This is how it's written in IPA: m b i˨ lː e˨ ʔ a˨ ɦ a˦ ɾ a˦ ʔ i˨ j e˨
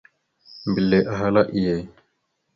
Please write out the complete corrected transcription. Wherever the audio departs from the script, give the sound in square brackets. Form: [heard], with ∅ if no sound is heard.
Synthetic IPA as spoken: m b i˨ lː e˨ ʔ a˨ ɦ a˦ [l] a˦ ʔ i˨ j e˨